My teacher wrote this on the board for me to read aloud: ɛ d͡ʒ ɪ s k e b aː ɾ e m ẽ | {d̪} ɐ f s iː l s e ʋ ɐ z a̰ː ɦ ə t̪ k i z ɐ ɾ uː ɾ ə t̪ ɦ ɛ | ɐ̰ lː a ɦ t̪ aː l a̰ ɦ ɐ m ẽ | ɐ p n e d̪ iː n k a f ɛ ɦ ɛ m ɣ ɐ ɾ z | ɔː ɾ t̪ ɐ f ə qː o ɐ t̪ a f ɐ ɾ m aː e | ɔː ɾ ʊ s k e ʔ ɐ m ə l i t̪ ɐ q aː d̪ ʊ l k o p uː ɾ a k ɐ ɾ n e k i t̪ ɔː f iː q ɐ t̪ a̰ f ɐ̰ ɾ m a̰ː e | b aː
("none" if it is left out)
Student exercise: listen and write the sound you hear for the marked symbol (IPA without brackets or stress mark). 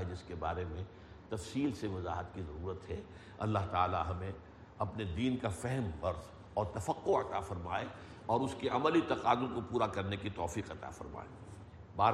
t̪